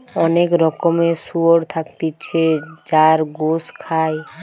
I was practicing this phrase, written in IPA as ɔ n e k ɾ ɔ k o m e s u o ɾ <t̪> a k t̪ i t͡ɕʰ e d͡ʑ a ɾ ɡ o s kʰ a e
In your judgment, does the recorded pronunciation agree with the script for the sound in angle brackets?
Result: no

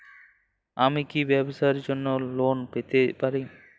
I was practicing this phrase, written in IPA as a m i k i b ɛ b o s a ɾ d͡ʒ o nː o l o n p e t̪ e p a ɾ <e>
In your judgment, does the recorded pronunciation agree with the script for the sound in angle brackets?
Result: no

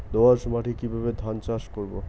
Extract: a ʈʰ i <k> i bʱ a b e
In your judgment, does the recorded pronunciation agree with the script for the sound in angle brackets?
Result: yes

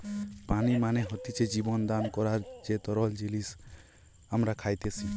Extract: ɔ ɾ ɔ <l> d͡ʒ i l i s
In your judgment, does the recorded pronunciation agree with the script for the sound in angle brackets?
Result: yes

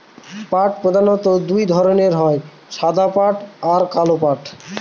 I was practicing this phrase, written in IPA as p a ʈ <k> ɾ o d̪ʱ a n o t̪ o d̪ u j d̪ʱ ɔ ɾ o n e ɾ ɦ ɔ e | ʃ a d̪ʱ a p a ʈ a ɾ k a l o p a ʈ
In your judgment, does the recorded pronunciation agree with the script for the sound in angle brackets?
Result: no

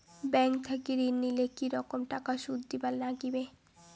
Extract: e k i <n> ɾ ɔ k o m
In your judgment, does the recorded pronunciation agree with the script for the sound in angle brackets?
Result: no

